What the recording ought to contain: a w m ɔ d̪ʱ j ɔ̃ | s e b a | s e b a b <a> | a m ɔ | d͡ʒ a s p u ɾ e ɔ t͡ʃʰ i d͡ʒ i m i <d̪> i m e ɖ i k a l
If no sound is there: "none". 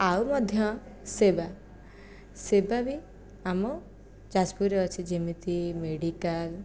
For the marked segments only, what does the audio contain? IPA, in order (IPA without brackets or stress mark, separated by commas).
i, t̪